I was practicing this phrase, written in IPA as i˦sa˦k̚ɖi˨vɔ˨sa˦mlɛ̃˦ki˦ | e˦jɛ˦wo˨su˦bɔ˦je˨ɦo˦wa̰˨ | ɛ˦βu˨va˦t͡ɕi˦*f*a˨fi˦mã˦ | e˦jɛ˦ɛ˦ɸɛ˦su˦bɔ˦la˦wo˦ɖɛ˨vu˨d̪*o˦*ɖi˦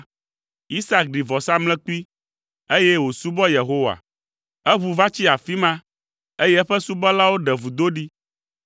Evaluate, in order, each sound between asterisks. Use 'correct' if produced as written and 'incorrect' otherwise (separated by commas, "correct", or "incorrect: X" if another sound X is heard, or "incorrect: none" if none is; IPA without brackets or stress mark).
incorrect: none, correct